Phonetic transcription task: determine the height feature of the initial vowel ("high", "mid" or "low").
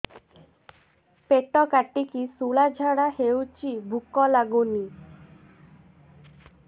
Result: mid